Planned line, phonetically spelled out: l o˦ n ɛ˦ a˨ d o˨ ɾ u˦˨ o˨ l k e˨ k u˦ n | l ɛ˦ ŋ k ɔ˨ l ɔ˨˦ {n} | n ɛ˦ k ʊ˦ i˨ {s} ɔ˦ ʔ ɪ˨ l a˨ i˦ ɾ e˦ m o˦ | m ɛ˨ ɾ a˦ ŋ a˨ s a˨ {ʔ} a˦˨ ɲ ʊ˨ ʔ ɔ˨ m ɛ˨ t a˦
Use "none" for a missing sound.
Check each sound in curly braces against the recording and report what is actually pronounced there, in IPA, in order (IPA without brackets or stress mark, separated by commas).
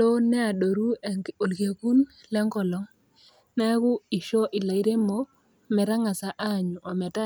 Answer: ŋ, ʃ, ʔ